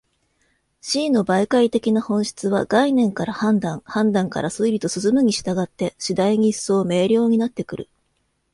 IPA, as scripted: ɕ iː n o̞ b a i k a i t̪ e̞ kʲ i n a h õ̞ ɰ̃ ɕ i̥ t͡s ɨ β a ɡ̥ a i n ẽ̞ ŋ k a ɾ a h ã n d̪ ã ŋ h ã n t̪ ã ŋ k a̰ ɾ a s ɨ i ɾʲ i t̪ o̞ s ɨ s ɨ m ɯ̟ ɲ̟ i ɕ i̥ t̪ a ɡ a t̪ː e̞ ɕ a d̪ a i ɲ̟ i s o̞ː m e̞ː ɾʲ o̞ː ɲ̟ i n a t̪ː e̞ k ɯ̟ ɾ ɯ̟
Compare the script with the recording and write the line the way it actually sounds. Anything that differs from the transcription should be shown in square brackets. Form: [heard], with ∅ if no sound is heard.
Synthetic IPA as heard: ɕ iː n o̞ b a i k a i t̪ e̞ kʲ i n a h õ̞ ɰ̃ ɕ i̥ t͡s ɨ β a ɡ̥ a i n ẽ̞ ŋ k a ɾ a h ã n d̪ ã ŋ h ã n [d̪] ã ŋ k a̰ ɾ a s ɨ i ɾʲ i t̪ o̞ s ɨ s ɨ m ɯ̟ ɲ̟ i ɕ i̥ t̪ a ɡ a t̪ː e̞ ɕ [i] d̪ a i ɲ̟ i s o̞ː m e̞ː ɾʲ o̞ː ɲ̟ i n a t̪ː e̞ k ɯ̟ ɾ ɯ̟